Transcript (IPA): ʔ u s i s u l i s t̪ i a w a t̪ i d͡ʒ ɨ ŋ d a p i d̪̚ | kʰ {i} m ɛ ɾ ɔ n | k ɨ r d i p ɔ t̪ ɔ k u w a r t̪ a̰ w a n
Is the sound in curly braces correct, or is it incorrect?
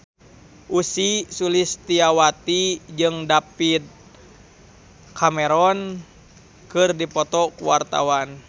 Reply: incorrect